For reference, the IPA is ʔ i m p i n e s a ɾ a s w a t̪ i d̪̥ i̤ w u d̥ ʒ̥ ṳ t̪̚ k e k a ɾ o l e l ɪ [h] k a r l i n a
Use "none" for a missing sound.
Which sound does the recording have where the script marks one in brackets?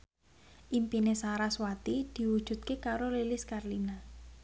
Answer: s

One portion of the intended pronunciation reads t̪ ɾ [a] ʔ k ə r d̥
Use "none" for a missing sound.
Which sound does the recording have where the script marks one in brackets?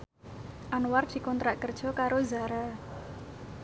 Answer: a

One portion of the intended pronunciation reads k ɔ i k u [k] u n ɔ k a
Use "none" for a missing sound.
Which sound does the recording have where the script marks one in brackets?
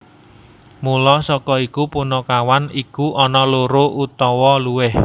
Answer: p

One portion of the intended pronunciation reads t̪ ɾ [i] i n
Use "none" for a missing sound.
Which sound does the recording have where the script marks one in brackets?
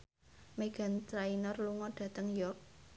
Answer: a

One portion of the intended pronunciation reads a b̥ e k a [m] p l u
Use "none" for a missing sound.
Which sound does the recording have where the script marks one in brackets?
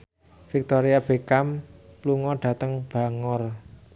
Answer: m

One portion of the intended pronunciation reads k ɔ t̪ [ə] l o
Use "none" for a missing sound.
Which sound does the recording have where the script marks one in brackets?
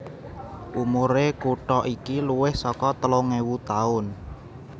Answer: ə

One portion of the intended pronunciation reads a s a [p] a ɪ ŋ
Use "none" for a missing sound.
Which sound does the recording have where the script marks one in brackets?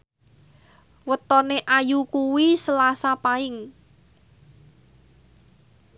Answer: p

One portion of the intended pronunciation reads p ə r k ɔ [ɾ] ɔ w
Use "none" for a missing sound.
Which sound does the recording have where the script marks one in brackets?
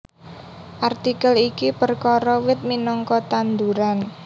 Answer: ɾ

